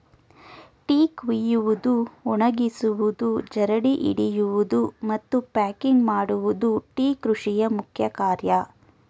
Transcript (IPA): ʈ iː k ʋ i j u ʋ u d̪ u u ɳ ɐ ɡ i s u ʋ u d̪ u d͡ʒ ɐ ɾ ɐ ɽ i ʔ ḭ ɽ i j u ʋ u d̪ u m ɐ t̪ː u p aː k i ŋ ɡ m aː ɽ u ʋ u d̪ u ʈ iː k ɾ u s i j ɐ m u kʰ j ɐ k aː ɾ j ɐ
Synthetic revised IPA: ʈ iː k ʋ i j u ʋ u d̪ u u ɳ ɐ ɡ i s u ʋ u d̪ u d͡ʒ ɐ ɾ ɐ ɽ i ʔ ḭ ɽ i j u ʋ u d̪ u m ɐ t̪ː u p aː k i ŋ ɡ m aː ɽ u ʋ u d̪ u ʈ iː k ɾ u ʂ i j ɐ m u kʰ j ɐ k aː ɾ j ɐ